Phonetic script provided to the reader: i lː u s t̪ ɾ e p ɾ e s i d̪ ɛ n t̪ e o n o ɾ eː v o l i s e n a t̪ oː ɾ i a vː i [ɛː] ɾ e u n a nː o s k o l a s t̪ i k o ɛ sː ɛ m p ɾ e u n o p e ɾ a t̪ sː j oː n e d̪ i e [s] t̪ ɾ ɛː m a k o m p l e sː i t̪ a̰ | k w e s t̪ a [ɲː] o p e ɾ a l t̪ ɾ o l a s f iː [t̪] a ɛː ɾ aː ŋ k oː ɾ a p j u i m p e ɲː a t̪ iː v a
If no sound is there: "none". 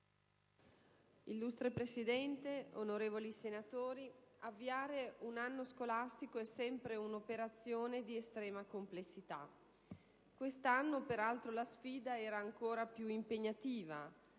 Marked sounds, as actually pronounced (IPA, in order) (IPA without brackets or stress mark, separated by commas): aː, s, nː, d̪